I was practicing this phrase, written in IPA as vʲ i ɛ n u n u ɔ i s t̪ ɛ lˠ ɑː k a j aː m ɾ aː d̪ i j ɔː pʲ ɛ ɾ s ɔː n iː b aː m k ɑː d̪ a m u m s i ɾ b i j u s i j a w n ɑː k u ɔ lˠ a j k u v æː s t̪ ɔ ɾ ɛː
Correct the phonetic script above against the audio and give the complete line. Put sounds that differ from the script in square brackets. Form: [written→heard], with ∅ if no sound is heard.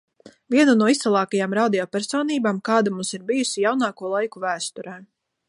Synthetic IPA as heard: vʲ i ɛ n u n u ɔ i s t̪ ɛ lˠ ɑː k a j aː m ɾ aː d̪ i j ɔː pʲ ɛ ɾ s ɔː n iː b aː m k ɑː d̪ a m u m s i ɾ b i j u s i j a w n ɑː k u ɔ lˠ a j k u v æː s t̪ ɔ ɾ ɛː